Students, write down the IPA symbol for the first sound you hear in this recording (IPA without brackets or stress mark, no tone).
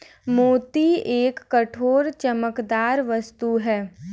m